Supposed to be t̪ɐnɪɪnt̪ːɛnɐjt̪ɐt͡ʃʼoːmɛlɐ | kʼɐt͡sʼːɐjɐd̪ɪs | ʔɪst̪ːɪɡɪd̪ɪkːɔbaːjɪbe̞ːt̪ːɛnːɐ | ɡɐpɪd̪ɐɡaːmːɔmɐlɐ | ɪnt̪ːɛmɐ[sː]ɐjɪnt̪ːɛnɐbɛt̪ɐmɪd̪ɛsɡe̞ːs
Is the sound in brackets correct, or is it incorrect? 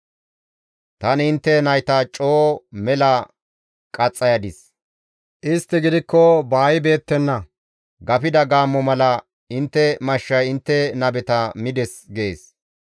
incorrect